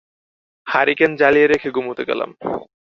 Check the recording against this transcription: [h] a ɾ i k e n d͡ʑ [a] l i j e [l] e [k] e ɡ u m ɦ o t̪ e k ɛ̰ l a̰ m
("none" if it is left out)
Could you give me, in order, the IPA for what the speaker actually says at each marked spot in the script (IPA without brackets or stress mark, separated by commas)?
h, a, ɾ, kʰ